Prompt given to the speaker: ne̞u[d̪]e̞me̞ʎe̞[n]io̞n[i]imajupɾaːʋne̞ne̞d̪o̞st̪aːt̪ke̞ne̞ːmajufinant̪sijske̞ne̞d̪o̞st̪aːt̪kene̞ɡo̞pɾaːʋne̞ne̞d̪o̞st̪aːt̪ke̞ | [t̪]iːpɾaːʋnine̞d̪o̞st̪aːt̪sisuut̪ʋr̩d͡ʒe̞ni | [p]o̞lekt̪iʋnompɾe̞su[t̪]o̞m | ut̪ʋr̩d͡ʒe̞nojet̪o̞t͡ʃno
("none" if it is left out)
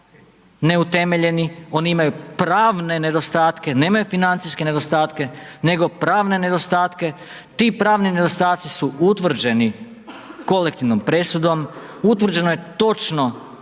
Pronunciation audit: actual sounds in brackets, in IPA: t̪, n, i, t̪, k, d̪

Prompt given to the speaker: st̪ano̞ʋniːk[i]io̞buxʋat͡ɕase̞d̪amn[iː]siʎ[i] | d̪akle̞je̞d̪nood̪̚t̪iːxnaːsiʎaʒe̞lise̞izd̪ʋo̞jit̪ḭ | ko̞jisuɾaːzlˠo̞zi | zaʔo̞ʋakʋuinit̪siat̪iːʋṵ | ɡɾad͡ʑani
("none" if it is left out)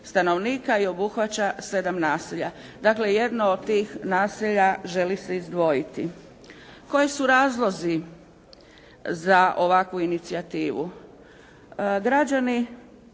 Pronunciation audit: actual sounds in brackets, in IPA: a, aː, a

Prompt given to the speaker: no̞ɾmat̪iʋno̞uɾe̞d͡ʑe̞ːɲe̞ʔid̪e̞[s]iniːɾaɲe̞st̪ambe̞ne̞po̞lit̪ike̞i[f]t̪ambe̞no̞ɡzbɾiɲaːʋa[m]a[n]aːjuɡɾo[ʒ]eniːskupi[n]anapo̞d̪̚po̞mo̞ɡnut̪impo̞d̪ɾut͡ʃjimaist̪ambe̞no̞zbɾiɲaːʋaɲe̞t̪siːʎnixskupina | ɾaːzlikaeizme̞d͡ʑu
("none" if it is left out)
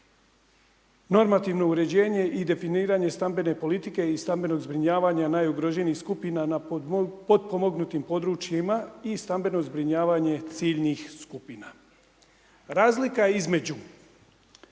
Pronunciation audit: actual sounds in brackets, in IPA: f, s, ɲ, n, ʒ, n

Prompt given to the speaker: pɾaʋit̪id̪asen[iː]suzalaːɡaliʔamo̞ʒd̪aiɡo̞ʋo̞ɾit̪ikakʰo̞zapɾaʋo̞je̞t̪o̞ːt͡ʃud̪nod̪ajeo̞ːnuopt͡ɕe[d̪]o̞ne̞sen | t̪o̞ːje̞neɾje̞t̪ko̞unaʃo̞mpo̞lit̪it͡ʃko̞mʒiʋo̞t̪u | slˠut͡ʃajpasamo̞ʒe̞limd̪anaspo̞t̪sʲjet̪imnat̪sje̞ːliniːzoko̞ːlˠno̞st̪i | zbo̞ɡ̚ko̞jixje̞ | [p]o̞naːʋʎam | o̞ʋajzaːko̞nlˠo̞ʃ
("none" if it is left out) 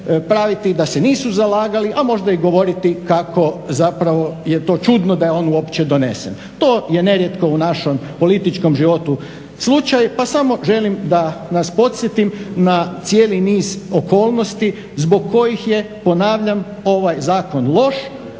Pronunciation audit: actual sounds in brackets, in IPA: iː, d̪, p

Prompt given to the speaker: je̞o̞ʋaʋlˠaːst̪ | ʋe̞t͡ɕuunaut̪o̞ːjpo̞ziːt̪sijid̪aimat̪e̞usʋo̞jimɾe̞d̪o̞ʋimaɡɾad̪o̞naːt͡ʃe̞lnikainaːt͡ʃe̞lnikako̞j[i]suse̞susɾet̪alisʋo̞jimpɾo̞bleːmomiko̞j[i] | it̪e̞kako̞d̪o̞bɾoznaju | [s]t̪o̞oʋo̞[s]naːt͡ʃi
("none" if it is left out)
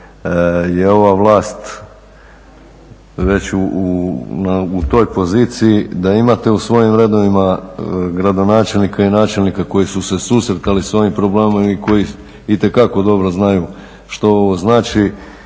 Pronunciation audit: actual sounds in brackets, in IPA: i, i, ʃ, z

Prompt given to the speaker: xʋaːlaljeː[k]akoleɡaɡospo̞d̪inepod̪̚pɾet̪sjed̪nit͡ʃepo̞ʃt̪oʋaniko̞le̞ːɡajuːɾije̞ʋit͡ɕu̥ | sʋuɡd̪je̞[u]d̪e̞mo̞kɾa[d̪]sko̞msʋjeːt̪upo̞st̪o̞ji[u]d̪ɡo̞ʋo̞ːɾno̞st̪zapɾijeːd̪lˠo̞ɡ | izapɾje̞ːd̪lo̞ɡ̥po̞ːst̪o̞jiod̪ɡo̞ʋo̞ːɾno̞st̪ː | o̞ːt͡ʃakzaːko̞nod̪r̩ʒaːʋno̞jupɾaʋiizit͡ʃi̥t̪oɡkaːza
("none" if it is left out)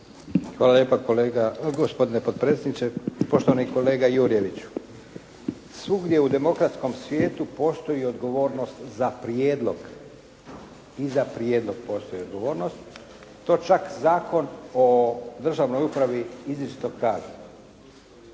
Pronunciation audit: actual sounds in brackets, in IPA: p, u, t̪, o

